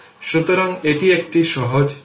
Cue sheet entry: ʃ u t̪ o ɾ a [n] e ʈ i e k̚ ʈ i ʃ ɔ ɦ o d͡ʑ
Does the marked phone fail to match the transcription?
yes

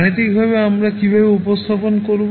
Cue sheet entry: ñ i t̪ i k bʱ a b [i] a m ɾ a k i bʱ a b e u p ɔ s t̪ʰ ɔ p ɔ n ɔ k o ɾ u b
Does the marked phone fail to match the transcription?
yes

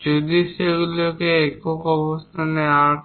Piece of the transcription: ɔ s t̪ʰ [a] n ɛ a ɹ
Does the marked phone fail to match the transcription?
no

